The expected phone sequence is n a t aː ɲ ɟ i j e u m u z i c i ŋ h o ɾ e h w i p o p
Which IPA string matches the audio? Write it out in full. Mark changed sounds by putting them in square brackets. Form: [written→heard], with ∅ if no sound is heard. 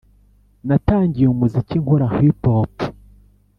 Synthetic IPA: n a t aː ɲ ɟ i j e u m u z i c i ŋ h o ɾ [e→a] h w i p o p